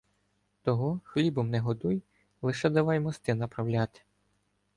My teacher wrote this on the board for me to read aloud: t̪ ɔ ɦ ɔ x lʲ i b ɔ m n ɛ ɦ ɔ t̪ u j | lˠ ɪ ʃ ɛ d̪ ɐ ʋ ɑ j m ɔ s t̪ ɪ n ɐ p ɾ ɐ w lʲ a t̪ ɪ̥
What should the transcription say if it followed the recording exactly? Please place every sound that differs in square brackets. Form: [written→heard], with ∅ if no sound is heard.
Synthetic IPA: t̪ ɔ ɦ ɔ x lʲ i b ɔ m n ɛ ɦ ɔ [t̪→d̪] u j | lˠ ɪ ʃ ɛ d̪ ɐ ʋ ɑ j m ɔ s t̪ ɪ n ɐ p ɾ ɐ w lʲ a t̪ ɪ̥